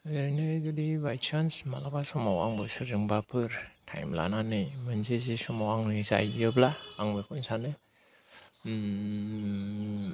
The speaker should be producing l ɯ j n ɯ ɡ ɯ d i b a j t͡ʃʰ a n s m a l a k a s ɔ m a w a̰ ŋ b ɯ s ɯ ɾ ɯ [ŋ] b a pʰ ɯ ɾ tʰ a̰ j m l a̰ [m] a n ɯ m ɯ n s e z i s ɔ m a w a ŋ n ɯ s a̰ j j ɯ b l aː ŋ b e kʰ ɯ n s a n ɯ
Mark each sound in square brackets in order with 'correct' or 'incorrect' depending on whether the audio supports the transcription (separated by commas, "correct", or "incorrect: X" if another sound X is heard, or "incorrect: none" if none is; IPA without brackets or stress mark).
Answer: correct, incorrect: n